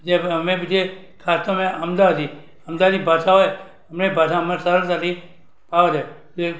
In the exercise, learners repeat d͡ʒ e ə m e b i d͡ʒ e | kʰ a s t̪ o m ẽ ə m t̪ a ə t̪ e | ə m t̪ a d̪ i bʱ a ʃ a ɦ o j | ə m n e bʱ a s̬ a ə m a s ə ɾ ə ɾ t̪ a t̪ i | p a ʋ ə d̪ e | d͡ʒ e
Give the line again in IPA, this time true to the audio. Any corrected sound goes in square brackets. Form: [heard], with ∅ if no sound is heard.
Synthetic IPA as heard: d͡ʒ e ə m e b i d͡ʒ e | kʰ a s t̪ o m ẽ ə m [d̪] a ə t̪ [i] | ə m [d̪] a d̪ i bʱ a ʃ a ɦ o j | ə m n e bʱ a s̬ a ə m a s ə ɾ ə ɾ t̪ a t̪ i | p a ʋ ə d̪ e | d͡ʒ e

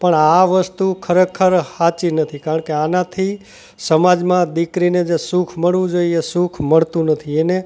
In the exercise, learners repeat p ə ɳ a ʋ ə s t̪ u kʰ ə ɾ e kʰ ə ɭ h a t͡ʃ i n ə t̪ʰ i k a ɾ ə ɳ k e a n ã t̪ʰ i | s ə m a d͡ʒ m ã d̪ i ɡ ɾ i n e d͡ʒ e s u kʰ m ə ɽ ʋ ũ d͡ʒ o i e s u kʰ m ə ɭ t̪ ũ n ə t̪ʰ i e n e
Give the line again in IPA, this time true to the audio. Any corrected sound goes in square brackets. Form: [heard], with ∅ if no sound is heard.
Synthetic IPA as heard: p ə ɳ a ʋ ə s t̪ u kʰ ə ɾ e kʰ ə [ɾ] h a t͡ʃ i n ə t̪ʰ i k a ɾ ə ɳ k e a n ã t̪ʰ i | s ə m a d͡ʒ m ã d̪ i [k] ɾ i n e d͡ʒ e s u kʰ m ə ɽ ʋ ũ d͡ʒ o i e s u kʰ m ə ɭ t̪ ũ n ə t̪ʰ i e n e

